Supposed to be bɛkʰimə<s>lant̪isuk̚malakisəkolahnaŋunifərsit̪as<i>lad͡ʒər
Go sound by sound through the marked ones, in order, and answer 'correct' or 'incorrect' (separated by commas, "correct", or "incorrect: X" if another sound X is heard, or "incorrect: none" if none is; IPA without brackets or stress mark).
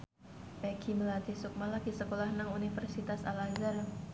incorrect: none, incorrect: a